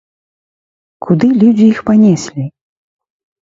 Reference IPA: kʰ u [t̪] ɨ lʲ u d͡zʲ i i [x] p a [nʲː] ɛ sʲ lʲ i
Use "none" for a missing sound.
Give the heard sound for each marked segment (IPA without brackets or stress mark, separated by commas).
d̪, x, nʲ